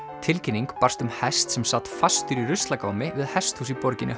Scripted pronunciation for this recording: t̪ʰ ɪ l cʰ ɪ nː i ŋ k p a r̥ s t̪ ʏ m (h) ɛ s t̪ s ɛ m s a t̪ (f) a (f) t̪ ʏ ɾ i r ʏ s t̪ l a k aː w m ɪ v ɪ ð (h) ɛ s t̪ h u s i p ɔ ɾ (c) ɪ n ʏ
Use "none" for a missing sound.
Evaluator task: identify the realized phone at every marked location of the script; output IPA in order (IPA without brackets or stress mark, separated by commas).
h, f, s, h, c